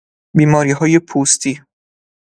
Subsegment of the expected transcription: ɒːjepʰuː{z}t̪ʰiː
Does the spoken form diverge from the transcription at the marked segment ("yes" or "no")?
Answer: yes